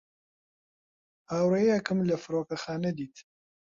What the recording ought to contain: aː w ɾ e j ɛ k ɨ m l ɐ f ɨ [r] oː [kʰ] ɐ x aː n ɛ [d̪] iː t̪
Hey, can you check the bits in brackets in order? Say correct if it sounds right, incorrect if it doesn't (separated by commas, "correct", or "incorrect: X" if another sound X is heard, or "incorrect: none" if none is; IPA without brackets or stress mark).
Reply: incorrect: ɾ, incorrect: k, correct